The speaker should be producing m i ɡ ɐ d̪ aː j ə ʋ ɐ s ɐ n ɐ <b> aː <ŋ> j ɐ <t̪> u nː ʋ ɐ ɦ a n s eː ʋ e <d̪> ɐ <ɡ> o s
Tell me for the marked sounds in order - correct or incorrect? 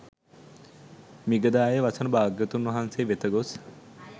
correct, incorrect: ɡ, correct, incorrect: t̪, correct

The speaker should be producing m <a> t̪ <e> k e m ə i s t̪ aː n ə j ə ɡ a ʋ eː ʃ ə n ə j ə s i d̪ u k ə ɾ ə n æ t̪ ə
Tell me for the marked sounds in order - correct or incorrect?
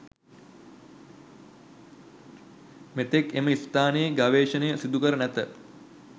incorrect: e, correct

